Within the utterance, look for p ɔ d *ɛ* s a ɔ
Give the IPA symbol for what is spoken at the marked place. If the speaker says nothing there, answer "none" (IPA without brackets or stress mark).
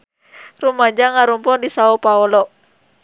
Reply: i